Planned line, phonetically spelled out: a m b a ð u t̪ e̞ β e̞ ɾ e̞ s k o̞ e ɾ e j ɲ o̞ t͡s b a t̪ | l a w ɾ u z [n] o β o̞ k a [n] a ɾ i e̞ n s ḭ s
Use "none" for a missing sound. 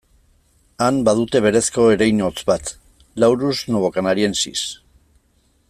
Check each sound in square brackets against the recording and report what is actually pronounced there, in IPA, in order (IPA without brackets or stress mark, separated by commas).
n, n